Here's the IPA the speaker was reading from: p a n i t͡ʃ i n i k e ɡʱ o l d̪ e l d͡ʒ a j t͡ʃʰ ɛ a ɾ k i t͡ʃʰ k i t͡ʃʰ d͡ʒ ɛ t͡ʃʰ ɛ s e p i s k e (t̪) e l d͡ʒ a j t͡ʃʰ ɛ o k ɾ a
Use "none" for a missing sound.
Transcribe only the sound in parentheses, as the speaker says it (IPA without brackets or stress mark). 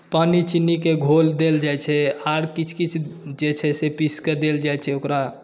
d̪